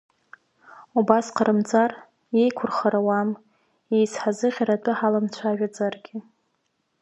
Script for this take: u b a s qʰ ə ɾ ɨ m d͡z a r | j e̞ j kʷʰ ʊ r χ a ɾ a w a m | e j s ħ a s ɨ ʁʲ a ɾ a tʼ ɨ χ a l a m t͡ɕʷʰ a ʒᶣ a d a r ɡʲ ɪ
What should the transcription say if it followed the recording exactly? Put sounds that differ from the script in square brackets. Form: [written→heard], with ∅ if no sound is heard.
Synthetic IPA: u b a s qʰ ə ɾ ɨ m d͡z a r | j e̞ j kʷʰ ʊ r χ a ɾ a w a m | e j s ħ a [s→z] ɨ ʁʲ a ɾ a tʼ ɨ [χ→ħ] a l a m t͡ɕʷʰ a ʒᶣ a [d→d͡z] a r ɡʲ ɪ